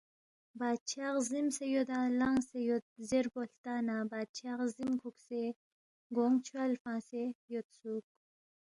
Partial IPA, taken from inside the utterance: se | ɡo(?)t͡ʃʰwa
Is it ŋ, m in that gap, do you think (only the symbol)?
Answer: ŋ